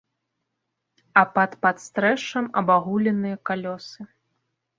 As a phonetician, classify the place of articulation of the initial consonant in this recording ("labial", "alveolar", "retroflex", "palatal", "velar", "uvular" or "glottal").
labial